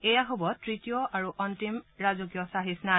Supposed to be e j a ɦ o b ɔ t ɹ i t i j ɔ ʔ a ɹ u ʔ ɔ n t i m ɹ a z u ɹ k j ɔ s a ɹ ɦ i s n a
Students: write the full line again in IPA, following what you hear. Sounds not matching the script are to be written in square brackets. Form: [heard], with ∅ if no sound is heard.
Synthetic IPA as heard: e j a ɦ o b ɔ t ɹ i t i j ɔ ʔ a ɹ u ʔ ɔ n t i m ɹ a z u [∅] k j ɔ s a [∅] ɦ i s n a